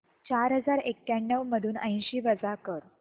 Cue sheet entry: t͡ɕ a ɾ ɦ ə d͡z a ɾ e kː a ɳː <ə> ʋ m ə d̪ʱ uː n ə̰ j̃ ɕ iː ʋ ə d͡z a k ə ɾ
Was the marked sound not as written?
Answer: no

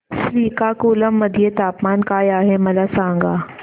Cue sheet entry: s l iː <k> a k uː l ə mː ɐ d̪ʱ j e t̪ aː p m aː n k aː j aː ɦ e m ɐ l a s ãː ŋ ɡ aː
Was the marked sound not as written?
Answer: no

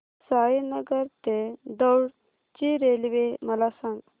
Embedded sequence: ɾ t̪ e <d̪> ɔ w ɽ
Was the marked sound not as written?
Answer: no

